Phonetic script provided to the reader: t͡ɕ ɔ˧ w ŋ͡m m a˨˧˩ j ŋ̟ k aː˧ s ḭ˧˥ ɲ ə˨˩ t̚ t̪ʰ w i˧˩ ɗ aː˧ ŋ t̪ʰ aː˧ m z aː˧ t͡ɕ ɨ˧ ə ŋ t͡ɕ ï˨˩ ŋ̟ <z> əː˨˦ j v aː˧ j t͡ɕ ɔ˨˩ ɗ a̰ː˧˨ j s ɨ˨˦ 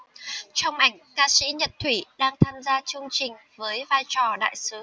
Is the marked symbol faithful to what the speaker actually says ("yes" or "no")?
no